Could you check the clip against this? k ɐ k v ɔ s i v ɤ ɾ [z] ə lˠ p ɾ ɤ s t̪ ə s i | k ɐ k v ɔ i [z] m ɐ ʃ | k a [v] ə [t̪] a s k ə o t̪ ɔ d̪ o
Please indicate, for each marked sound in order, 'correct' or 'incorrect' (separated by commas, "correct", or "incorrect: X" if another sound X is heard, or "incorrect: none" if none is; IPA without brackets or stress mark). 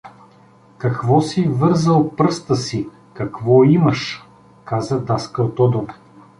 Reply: correct, incorrect: none, incorrect: z, incorrect: d̪